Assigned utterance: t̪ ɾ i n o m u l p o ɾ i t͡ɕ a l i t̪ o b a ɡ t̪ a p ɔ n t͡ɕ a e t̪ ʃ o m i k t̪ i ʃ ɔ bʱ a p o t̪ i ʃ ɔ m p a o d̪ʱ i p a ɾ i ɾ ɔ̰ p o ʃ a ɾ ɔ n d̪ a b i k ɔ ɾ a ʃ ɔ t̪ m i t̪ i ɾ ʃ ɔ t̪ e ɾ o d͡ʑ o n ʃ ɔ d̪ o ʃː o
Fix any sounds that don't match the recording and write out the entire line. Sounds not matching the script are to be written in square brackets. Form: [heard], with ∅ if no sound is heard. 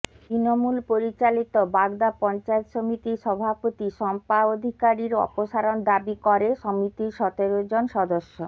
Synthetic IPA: t̪ ɾ i n o m u l p o ɾ i t͡ɕ a l i t̪ o b a ɡ [d̪] a p ɔ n t͡ɕ a e t̪ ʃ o m i [∅] t̪ i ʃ ɔ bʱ a p o t̪ i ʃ ɔ m p a o d̪ʱ i [k] a ɾ i ɾ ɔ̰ p o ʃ a ɾ [o] n d̪ a b i k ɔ ɾ [e] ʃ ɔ [∅] m i t̪ i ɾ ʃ ɔ t̪ e ɾ o d͡ʑ o n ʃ ɔ d̪ o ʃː o